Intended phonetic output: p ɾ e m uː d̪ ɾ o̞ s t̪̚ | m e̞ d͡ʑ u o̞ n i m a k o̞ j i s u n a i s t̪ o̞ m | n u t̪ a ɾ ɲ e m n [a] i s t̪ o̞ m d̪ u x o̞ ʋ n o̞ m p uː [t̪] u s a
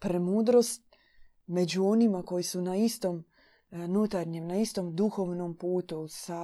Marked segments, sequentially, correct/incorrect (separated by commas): correct, correct